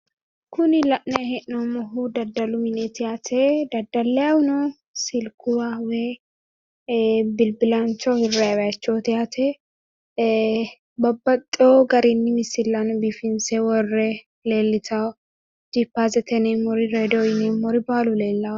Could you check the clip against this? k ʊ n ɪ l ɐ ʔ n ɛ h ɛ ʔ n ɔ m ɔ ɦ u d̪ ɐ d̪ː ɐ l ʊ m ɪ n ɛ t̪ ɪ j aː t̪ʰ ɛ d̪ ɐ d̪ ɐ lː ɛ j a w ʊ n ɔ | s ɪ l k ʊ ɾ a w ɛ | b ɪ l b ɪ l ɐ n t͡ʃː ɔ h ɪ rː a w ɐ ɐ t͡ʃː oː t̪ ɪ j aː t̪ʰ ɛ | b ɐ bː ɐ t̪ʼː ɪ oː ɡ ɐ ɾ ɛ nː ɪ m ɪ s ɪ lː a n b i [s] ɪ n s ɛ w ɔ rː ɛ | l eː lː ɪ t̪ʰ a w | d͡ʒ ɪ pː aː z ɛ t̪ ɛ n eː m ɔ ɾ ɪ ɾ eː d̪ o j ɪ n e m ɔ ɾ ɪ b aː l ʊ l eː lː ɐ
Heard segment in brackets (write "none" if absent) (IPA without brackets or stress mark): f